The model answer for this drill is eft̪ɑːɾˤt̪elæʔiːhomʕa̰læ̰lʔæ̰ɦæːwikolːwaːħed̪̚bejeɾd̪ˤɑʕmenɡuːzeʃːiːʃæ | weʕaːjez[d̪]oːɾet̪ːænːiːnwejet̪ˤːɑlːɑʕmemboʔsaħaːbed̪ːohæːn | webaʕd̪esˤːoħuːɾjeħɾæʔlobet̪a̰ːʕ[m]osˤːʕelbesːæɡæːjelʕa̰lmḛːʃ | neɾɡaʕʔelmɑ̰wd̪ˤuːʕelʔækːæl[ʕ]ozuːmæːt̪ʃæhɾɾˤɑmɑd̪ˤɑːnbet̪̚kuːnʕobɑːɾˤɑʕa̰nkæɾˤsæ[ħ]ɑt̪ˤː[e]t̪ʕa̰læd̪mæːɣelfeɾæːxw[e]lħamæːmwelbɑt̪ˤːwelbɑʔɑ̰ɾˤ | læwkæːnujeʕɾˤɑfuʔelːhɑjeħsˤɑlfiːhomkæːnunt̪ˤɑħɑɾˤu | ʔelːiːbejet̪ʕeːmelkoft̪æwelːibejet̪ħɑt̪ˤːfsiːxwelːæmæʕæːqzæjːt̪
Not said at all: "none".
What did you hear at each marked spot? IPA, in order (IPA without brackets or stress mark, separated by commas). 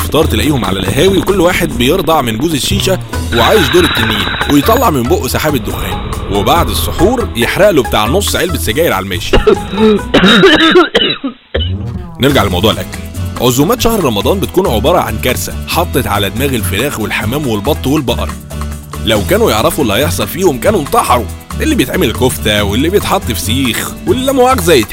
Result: d̪, n, ʕ, ħ, e, e